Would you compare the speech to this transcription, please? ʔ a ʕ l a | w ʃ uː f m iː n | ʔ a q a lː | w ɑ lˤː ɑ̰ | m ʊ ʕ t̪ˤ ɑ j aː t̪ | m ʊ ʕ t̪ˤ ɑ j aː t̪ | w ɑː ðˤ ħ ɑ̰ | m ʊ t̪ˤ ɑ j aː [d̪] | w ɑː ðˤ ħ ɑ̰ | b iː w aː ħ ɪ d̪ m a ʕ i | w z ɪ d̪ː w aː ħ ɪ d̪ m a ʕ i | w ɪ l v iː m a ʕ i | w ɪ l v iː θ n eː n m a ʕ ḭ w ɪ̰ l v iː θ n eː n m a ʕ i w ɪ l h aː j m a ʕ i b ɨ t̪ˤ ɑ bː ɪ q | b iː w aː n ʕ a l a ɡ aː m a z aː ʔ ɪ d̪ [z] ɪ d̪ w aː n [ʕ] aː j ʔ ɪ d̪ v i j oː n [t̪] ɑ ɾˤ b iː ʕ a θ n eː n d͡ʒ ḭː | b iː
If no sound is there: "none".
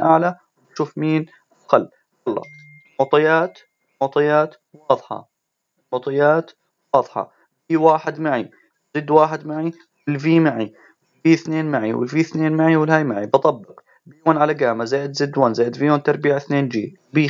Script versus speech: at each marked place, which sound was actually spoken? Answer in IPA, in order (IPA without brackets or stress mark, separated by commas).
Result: t̪, z, z, t̪